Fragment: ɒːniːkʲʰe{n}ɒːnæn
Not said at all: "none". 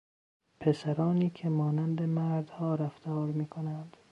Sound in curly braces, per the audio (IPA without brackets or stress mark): m